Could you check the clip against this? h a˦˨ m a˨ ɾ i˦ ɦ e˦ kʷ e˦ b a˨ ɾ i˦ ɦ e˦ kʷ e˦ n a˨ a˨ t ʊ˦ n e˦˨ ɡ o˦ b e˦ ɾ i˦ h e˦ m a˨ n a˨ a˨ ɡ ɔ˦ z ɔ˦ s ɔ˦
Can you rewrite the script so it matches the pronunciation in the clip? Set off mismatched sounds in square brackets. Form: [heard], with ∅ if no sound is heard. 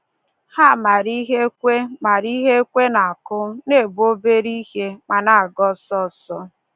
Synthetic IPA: h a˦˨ m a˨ ɾ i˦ ɦ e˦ kʷ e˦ [m] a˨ ɾ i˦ ɦ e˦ kʷ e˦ n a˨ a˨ [k] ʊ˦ n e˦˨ [b] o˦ b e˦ ɾ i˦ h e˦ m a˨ n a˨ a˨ ɡ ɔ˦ [s] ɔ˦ s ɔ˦